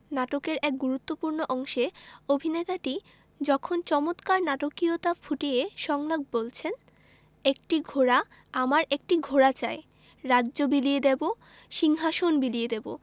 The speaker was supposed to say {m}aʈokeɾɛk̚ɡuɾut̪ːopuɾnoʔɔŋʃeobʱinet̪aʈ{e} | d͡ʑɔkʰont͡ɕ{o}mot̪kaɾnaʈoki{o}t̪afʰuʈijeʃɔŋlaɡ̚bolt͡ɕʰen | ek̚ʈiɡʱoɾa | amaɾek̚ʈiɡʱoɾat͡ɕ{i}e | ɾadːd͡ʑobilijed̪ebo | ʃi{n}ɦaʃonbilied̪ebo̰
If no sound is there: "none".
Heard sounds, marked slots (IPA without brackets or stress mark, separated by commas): n, i, ɔ, o, a, ŋ